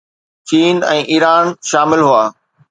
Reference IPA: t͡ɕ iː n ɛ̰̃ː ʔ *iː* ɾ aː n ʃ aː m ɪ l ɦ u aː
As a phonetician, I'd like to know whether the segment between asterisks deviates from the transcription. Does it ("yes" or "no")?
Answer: no